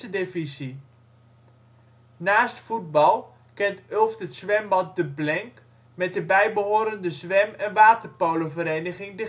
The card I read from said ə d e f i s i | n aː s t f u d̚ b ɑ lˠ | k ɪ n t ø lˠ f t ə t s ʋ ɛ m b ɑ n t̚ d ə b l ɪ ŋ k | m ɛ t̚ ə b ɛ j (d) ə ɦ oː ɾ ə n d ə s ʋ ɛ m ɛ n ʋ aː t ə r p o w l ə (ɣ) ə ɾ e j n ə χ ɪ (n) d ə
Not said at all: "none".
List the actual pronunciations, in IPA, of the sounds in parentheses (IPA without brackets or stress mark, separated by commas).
b, v, ŋ